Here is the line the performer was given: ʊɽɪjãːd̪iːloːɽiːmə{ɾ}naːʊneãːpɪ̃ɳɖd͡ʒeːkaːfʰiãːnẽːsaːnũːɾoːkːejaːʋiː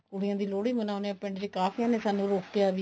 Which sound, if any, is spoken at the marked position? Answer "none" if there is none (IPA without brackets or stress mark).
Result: none